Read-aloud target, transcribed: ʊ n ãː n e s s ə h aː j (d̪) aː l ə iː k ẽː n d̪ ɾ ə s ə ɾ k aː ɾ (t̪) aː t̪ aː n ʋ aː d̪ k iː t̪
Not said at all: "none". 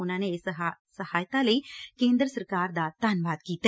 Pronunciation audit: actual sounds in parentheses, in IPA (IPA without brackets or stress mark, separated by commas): t̪, d̪